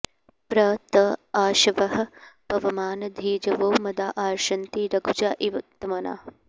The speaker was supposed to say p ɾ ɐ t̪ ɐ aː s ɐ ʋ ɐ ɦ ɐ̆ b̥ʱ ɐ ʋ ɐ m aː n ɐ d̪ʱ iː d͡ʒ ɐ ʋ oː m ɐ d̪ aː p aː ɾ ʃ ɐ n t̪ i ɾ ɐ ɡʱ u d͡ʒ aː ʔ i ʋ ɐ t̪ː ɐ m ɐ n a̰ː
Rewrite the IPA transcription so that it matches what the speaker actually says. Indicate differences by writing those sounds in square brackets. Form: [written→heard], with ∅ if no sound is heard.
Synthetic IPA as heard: p ɾ ɐ t̪ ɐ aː [s→ʃ] ɐ ʋ ɐ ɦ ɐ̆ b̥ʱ ɐ ʋ ɐ m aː n ɐ d̪ʱ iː d͡ʒ ɐ ʋ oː m ɐ d̪ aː [p→ʔ] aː ɾ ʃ ɐ n t̪ i ɾ ɐ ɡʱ u d͡ʒ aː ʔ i ʋ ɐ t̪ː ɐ m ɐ n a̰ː